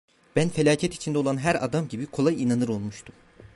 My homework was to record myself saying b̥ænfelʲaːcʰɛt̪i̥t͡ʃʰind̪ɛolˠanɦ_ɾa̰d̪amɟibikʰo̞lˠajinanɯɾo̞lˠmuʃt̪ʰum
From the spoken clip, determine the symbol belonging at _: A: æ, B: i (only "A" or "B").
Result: A